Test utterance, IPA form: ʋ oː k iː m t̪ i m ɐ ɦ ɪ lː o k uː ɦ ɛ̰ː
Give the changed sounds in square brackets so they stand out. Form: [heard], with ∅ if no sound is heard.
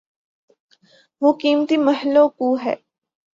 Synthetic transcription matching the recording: ʋ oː k iː m t̪ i m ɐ ɦ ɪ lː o k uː ɦ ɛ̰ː